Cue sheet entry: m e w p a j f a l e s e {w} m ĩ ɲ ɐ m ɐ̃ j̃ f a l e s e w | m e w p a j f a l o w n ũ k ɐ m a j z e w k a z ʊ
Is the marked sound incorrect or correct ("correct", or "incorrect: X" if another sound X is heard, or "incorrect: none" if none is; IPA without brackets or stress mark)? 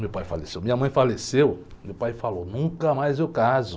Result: correct